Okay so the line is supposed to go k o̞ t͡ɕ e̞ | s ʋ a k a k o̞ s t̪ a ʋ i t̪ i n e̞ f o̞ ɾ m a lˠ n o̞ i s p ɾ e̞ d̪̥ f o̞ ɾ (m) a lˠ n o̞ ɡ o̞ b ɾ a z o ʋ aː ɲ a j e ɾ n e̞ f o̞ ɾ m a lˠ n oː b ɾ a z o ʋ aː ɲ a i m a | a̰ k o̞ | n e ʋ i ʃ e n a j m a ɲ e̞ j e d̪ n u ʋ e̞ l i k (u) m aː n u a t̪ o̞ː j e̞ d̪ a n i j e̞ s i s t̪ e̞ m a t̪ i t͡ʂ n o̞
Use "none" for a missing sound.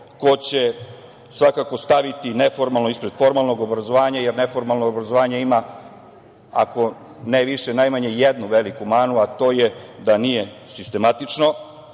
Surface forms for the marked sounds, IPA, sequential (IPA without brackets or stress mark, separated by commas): m, u